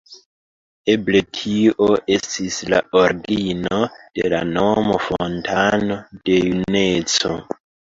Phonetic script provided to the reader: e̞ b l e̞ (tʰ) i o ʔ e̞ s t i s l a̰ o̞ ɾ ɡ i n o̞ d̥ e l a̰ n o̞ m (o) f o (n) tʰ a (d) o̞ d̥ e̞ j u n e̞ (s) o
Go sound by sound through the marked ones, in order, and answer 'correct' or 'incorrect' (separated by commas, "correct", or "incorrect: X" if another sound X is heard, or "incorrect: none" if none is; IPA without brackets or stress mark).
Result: correct, correct, correct, incorrect: n, incorrect: t͡s